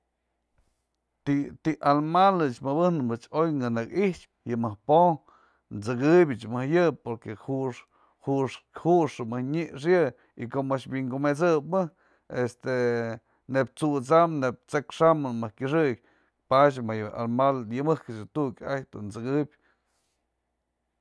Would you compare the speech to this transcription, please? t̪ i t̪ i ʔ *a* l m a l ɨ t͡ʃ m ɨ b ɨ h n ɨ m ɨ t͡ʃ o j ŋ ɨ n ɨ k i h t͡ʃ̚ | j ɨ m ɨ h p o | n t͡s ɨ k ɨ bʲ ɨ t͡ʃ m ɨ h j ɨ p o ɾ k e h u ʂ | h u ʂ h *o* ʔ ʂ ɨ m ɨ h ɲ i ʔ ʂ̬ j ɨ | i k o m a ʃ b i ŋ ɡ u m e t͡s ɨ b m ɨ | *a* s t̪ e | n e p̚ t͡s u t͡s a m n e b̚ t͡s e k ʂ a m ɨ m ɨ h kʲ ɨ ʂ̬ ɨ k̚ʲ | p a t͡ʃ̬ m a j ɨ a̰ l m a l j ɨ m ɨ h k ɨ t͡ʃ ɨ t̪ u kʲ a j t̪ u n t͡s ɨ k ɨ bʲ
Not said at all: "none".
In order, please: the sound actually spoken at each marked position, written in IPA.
a, u, e

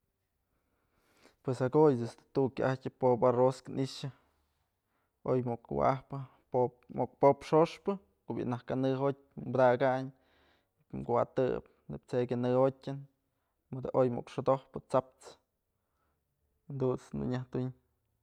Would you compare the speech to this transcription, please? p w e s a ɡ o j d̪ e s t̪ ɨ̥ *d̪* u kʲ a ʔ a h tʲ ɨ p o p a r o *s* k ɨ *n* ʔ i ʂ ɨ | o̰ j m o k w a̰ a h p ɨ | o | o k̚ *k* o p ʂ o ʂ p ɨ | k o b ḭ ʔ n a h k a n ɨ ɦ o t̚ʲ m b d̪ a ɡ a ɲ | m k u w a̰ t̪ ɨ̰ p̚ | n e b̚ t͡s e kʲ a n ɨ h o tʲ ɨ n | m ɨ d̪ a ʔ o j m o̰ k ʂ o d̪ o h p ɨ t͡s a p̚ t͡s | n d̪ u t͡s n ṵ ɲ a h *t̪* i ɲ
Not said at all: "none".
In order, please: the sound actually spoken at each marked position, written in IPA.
t̪, s, n, p, t̪

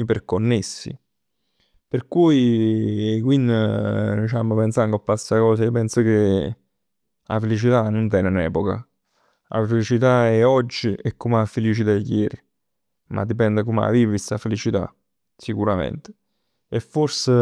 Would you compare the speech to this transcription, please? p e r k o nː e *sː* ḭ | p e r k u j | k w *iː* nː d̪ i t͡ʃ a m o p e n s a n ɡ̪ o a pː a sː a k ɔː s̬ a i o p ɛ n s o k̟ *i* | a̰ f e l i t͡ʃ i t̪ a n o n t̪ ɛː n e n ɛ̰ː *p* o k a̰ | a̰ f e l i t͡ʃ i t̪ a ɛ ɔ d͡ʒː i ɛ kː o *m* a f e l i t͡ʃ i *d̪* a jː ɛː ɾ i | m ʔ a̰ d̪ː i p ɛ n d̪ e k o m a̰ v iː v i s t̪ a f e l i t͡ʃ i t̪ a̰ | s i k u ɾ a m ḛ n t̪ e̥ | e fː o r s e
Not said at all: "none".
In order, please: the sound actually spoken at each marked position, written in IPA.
sː, i, e, p, m, t̪

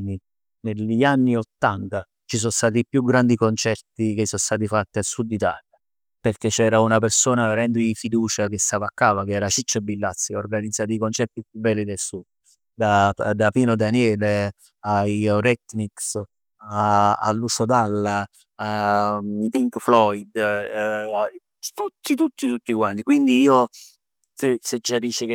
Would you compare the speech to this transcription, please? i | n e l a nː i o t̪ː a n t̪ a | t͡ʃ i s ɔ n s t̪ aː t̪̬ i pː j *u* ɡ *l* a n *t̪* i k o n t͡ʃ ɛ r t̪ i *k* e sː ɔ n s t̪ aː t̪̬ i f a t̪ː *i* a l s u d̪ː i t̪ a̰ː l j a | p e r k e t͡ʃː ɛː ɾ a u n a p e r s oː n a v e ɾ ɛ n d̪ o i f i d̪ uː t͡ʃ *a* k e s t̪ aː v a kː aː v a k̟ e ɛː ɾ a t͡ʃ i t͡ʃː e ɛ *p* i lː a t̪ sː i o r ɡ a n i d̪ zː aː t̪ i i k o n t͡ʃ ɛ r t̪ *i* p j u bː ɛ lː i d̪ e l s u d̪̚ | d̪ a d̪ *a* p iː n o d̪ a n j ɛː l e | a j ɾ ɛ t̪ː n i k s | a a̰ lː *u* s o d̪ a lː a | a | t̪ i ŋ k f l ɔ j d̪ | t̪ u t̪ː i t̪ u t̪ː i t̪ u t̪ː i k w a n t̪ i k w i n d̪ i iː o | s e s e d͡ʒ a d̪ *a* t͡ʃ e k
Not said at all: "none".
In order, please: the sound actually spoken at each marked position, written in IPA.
u, ɾ, d̪, k, i, a, b, i, a, u, i

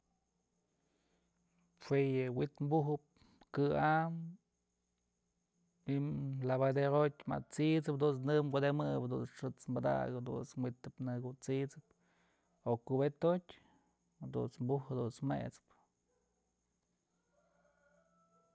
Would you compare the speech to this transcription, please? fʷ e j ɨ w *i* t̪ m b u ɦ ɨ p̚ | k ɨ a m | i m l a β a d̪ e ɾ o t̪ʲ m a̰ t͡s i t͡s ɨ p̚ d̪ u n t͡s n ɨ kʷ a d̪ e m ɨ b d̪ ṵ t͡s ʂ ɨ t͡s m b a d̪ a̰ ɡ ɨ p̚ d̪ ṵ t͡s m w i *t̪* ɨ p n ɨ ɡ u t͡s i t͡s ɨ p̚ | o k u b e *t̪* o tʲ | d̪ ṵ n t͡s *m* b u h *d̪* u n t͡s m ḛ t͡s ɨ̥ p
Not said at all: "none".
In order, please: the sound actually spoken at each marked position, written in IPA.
i, t̪, t̪, m, d̪

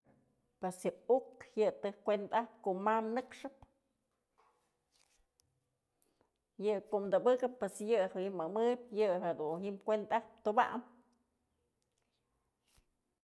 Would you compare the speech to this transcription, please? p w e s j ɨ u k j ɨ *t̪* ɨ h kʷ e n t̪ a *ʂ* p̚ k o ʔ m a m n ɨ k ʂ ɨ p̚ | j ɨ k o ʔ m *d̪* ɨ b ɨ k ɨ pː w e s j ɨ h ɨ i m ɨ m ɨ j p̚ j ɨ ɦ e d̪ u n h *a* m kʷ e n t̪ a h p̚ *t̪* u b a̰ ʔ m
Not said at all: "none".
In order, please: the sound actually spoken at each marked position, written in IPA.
t̪, h, d̪, i, t̪

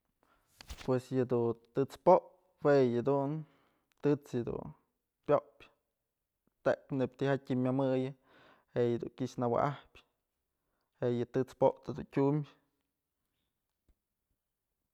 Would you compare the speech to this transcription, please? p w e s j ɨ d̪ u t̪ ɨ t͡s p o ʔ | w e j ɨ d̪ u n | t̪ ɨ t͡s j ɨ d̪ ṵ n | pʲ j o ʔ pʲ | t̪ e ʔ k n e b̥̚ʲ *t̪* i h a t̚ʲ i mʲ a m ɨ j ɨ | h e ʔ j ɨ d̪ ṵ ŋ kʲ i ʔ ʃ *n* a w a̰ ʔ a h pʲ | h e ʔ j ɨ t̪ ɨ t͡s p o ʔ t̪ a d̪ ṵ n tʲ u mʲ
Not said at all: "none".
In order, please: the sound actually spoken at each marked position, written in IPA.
t̪, n

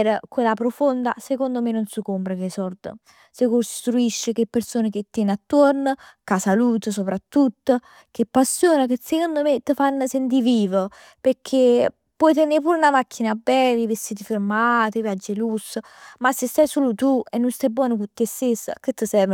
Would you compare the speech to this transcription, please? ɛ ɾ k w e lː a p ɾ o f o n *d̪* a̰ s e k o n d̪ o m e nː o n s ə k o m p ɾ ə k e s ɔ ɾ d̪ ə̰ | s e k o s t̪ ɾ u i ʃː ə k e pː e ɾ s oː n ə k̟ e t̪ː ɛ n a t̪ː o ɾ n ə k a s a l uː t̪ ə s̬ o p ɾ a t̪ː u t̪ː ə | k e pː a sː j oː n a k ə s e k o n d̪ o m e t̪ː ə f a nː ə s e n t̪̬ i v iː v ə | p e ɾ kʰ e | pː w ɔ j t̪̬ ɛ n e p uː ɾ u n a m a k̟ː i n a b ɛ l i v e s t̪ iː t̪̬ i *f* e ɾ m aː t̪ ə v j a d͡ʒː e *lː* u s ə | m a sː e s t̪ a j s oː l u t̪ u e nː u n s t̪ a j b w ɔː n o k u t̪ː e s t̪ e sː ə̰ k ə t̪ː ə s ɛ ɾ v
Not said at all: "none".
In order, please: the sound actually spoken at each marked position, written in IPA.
d̪, f, l

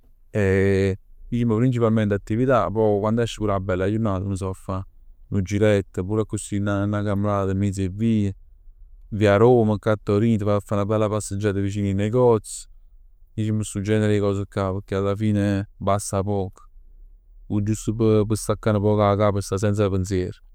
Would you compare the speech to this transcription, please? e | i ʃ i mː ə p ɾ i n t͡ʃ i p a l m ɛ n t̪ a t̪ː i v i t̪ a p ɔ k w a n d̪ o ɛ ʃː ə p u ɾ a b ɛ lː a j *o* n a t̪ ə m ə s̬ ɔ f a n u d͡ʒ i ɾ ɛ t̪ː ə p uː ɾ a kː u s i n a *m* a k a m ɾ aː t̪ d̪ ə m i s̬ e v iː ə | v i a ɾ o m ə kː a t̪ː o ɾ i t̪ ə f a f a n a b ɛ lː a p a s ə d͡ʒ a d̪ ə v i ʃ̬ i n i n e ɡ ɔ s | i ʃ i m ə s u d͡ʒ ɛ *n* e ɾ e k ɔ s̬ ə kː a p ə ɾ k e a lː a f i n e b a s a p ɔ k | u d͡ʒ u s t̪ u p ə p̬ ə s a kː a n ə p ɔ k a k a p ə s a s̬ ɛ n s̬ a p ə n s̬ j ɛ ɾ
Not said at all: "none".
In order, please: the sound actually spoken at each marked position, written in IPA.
u, n, n

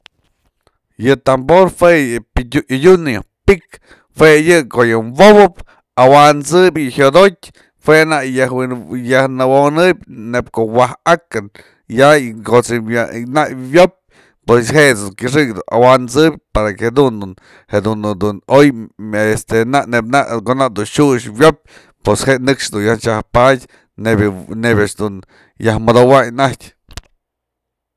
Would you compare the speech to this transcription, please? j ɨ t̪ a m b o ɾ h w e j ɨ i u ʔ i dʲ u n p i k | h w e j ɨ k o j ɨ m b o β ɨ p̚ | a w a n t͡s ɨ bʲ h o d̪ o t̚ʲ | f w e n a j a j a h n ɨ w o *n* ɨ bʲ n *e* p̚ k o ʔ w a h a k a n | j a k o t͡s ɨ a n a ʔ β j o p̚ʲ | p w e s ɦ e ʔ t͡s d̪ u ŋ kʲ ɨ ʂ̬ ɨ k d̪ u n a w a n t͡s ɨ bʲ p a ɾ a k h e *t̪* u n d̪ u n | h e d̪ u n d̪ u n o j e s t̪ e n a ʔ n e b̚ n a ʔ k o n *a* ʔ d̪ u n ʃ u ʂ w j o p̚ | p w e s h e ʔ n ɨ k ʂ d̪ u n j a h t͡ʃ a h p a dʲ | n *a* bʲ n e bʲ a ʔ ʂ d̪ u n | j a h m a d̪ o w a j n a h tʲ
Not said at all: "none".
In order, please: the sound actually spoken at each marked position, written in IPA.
n, e, d̪, a, e

